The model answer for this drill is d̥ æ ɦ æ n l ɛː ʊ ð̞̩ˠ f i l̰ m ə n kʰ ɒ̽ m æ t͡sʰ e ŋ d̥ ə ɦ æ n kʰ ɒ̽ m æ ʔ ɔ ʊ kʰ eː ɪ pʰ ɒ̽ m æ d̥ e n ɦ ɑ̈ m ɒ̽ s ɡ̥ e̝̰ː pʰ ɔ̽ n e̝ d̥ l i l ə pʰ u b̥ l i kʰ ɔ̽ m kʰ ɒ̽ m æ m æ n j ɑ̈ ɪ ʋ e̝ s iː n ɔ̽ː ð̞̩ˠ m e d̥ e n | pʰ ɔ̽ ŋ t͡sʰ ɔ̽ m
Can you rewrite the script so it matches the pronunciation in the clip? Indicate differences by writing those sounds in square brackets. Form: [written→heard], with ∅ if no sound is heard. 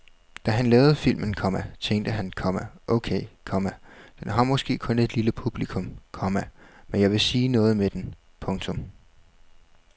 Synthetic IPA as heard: d̥ æ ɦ æ n l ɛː ʊ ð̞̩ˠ f i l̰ m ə n kʰ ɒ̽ m æ t͡sʰ e ŋ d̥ ə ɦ æ n kʰ ɒ̽ m æ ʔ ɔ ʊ kʰ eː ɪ [pʰ→kʰ] ɒ̽ m æ d̥ e n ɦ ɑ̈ m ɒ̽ s ɡ̥ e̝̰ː [pʰ→kʰ] ɔ̽ n e̝ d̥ l i l ə pʰ u b̥ l i kʰ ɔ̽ m kʰ ɒ̽ m æ m [æ→e] n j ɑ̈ ɪ ʋ e̝ s iː n ɔ̽ː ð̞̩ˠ m e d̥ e n | pʰ ɔ̽ ŋ t͡sʰ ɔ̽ m

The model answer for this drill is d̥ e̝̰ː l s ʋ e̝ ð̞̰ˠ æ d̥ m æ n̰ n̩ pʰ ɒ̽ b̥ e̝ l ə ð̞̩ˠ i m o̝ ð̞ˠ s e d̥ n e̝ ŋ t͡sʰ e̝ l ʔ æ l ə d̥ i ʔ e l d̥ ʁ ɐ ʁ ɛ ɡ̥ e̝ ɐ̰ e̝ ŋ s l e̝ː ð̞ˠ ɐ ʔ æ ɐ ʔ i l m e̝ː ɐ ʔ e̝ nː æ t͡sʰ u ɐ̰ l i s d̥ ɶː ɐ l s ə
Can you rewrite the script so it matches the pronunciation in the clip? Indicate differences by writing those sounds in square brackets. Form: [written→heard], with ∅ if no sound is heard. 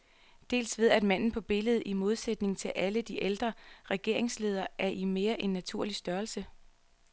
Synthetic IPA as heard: d̥ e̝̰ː l s ʋ e̝ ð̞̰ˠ æ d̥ m æ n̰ n̩ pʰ ɒ̽ b̥ e̝ l ə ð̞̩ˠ i m o̝ ð̞ˠ s e d̥ n e̝ ŋ t͡sʰ e̝ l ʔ æ l ə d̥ i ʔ e l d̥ ʁ ɐ ʁ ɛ ɡ̥ e̝ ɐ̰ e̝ ŋ s l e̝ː ð̞ˠ ɐ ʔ æ ɐ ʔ i [l→∅] m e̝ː ɐ ʔ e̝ nː æ t͡sʰ u ɐ̰ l i s d̥ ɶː ɐ l s ə

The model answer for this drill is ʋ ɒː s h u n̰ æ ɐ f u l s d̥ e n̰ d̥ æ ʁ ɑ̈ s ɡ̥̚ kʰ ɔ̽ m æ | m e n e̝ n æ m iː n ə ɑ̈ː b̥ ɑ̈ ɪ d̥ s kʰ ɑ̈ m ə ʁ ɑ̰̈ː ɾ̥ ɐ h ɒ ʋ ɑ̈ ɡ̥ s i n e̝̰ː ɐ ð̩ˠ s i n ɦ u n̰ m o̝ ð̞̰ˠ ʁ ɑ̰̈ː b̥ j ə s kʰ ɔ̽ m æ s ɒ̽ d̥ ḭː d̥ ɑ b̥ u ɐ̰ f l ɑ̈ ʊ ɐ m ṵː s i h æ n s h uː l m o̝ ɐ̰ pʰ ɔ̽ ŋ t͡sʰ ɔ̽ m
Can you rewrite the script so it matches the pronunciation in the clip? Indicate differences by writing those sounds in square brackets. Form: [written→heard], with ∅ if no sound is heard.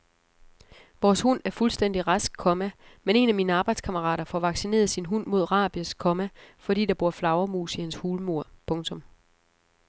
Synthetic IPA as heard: ʋ ɒː s h u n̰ æ ɐ f u l s d̥ e n̰ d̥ [æ→i] ʁ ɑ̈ s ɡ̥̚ kʰ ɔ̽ m æ | m e n e̝ n æ m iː n ə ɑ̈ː b̥ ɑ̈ ɪ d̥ s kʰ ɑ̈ m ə ʁ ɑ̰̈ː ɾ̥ ɐ [h→f] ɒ ʋ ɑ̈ ɡ̥ s i n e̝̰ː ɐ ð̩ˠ s i n ɦ u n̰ m o̝ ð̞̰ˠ ʁ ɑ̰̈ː b̥ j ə s kʰ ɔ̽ m æ [s→f] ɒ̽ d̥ ḭː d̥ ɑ b̥ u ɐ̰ f l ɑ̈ ʊ ɐ m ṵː s i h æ n s h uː l m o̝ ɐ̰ pʰ ɔ̽ ŋ t͡sʰ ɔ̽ m

